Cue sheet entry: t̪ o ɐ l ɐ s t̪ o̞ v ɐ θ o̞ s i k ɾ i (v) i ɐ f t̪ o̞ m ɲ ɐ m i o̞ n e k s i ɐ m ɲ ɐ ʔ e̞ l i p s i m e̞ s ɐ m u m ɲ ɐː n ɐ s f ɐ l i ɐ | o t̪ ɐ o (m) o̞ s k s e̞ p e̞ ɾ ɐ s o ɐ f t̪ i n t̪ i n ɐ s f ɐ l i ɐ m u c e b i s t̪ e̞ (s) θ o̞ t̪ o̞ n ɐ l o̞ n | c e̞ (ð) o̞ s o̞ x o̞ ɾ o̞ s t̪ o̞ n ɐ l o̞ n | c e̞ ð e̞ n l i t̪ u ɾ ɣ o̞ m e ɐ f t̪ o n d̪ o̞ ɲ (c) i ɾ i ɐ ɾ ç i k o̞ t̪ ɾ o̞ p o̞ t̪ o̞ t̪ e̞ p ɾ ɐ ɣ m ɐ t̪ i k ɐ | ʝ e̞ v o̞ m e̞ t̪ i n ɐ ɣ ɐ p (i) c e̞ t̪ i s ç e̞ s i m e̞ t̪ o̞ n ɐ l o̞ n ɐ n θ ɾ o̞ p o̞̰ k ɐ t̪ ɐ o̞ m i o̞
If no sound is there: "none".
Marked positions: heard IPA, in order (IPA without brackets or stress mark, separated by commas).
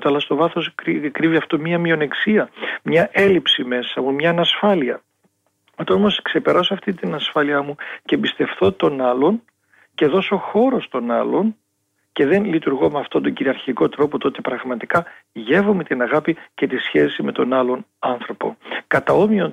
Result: v, m, f, ð, ɟ, i